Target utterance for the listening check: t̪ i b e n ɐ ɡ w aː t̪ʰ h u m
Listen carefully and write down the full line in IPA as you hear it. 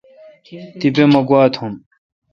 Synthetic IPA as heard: t̪ i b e m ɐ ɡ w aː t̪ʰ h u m